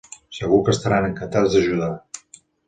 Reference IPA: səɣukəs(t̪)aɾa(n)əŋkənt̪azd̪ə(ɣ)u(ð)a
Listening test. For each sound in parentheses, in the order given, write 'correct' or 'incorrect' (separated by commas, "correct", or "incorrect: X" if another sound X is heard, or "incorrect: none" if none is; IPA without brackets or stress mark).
correct, correct, incorrect: ʒ, correct